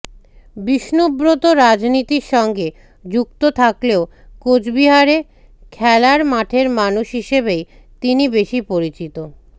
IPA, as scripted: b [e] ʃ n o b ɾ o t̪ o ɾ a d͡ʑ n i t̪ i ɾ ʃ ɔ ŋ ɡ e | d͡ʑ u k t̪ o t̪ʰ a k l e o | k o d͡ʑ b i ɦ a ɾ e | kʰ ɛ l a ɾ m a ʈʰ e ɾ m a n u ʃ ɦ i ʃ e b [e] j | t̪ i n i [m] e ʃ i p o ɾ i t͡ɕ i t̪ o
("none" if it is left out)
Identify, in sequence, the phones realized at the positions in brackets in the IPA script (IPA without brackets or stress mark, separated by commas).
i, e, b